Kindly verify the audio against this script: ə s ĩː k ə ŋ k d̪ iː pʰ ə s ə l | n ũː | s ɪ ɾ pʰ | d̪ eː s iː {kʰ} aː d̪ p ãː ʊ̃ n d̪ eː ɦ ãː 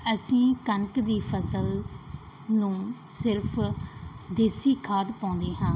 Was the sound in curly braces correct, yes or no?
yes